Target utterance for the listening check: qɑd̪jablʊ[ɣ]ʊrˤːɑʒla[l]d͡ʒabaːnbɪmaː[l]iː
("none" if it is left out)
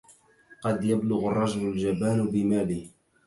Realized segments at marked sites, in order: ɣ, l, l

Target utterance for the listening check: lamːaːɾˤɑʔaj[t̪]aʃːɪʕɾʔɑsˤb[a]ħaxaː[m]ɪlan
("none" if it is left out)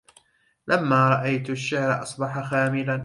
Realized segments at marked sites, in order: t̪, ɑ, m

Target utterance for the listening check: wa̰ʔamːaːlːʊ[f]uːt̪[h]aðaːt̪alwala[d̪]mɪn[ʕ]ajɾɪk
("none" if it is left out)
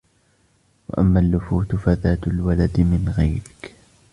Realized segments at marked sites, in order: f, f, d̪, ɣ

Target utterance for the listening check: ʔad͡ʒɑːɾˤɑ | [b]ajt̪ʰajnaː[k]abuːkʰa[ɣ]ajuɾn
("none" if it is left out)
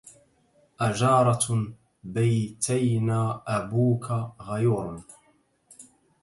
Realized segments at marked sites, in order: b, ʔ, ɣ

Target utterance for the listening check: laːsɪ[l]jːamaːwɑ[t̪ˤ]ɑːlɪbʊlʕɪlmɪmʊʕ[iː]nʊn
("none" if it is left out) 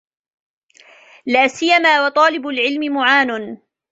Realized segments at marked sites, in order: none, t̪ˤ, aː

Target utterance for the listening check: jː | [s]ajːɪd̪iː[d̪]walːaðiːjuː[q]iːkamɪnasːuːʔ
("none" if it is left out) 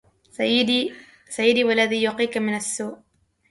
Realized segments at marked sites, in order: s, none, q

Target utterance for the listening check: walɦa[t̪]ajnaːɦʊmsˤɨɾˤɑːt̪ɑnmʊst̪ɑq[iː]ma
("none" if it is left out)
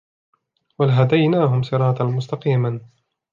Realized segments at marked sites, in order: d̪, iː

